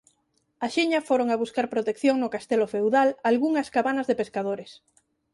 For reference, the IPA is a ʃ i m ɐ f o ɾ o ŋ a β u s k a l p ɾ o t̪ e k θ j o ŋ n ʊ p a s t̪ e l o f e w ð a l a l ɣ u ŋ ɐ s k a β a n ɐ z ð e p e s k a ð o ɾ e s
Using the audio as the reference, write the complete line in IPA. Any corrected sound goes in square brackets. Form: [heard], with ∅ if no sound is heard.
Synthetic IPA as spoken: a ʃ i [ɲ] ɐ f o ɾ o ŋ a β u s k a [ɾ] p ɾ o t̪ e k θ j o ŋ n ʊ [k] a s t̪ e l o f e w ð a l a l ɣ u ŋ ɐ s k a β a n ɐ z ð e p e s k a ð o ɾ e s